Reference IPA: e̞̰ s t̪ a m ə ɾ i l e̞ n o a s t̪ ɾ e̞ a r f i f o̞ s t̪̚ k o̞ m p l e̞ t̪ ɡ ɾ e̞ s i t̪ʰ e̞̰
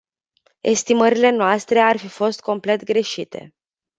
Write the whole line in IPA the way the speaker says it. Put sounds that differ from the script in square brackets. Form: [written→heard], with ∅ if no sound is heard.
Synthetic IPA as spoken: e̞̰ s t̪ [a→i] m ə ɾ i l e̞ n o a s t̪ ɾ e̞ a r f i f o̞ s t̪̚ k o̞ m p l e̞ t̪ ɡ ɾ e̞ [s→ʃ] i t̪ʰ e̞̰